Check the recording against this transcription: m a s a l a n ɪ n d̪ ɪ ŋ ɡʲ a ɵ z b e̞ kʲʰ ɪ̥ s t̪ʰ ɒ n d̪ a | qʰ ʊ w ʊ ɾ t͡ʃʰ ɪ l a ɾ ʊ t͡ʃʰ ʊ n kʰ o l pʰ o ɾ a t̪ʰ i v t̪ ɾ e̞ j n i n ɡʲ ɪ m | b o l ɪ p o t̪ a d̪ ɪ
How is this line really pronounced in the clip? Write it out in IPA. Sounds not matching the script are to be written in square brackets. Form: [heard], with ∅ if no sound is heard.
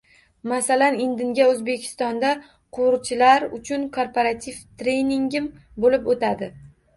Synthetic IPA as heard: m a s a l a n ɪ n d̪ ɪ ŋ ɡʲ a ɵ z b e̞ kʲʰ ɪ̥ s [t̪] ɒ n d̪ a | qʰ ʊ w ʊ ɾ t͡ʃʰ ɪ l a ɾ ʊ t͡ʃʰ ʊ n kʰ o [ɾ] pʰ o ɾ a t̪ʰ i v t̪ ɾ e̞ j n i [ŋ] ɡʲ ɪ m | b o l ɪ p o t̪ a d̪ ɪ